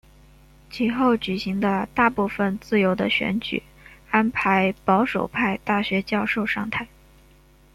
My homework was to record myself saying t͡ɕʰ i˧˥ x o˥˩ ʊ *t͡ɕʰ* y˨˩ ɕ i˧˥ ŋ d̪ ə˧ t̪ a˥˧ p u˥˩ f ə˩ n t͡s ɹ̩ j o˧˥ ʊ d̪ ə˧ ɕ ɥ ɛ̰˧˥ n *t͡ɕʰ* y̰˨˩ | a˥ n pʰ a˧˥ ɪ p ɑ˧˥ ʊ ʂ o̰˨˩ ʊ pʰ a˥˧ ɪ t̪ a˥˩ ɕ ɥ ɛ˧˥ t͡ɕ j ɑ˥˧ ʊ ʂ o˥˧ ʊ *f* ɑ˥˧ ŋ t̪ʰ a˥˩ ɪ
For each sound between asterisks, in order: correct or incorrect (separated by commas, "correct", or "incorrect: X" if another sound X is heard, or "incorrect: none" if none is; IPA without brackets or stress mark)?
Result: incorrect: t͡ɕ, incorrect: t͡ɕ, incorrect: ʂ